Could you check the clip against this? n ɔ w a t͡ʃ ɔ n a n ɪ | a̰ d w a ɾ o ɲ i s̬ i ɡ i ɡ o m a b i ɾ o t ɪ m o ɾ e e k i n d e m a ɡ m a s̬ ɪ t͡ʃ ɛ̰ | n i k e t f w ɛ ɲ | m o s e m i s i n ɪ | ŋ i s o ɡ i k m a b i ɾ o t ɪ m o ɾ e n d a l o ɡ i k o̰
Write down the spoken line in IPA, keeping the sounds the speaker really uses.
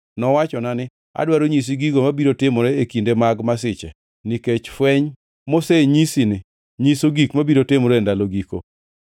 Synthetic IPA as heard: n ɔ w a t͡ʃ ɔ n a n ɪ | a̰ d w a ɾ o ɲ i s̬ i ɡ i ɡ o m a b i ɾ o t ɪ m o ɾ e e k i n d e m a ɡ m a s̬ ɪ t͡ʃ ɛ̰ | n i k e t͡ʃ f w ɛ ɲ | m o s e ɲ i s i n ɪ | ɲ i s o ɡ i k m a b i ɾ o t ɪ m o ɾ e n d a l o ɡ i k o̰